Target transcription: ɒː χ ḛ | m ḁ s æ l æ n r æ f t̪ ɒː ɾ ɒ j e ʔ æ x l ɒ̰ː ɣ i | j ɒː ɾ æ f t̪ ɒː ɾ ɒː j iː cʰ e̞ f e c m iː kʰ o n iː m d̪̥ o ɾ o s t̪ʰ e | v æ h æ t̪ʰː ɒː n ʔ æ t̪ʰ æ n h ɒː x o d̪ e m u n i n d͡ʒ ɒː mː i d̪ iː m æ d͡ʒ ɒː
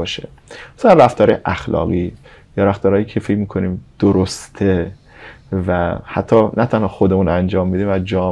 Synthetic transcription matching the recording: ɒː ʃ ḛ | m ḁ s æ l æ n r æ f t̪ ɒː ɾ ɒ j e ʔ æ x l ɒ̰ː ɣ i | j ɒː ɾ æ f t̪ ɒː ɾ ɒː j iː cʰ e̞ f e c m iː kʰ o n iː m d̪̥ o ɾ o s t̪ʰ e | v æ h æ t̪ʰː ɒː n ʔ æ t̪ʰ æ n h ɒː x o d̪ e m u n æ n d͡ʒ ɒː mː i d̪ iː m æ d͡ʒ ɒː